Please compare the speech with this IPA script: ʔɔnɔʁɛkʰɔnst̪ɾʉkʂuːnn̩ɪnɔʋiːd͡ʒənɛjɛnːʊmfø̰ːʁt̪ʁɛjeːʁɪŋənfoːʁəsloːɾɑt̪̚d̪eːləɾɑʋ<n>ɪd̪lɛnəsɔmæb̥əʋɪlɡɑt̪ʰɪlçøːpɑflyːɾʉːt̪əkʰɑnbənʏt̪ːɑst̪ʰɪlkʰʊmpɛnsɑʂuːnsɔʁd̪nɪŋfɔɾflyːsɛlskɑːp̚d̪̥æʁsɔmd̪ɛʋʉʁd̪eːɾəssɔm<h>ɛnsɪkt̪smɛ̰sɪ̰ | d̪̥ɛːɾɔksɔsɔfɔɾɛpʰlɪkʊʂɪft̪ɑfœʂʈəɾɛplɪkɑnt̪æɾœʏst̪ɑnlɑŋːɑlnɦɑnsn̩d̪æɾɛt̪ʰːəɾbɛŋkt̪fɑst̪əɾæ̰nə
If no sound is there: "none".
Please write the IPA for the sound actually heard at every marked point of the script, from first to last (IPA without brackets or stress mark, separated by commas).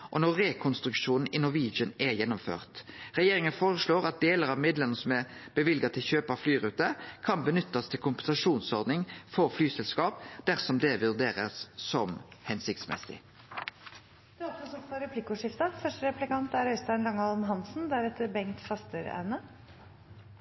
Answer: m, h